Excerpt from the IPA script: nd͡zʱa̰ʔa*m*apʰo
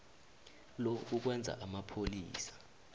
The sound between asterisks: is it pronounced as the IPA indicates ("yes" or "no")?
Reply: yes